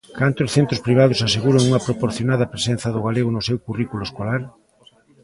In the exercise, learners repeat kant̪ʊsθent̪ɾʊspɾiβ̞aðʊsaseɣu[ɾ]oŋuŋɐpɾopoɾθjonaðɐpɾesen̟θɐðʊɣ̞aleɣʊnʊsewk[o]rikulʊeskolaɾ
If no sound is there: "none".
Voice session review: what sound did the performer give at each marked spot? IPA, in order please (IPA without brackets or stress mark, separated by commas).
ɾ, u